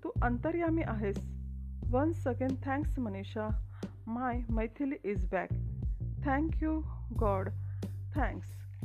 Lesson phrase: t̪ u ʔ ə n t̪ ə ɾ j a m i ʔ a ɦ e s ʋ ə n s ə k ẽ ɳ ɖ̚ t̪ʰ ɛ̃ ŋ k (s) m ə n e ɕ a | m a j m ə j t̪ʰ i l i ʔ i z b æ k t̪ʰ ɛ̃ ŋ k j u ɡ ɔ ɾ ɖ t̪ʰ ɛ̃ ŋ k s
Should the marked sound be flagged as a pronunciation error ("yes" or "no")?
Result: no